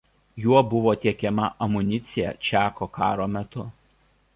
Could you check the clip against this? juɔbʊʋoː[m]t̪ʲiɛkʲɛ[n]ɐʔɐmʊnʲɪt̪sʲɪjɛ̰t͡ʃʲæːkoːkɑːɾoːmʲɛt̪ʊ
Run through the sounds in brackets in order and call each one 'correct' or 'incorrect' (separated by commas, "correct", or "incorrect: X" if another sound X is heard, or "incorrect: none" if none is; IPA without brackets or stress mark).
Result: incorrect: none, incorrect: m